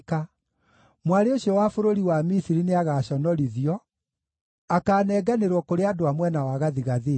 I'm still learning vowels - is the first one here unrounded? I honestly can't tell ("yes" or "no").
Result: yes